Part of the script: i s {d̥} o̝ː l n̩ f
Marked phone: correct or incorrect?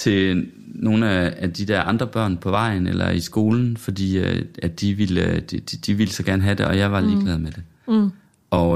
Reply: incorrect